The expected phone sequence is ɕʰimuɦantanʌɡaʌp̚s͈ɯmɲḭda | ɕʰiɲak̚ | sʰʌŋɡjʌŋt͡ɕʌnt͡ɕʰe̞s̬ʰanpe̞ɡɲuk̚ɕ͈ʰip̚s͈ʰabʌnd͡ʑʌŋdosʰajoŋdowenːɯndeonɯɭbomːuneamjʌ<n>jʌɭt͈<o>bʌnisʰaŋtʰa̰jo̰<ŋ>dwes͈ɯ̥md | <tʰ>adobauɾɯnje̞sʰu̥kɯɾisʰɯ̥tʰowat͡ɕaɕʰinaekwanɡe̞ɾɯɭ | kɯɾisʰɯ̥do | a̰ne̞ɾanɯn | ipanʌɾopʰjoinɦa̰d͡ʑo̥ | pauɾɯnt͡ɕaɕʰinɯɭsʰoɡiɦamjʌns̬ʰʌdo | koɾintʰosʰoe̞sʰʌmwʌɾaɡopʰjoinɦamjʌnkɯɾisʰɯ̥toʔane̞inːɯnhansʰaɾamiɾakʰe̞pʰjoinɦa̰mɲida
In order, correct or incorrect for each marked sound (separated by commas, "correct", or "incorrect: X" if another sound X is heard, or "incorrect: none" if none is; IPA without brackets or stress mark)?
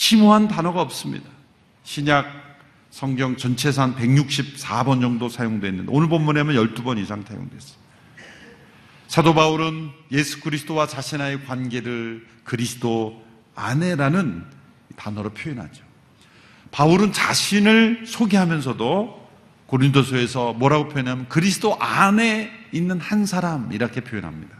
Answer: correct, incorrect: u, correct, incorrect: sʰ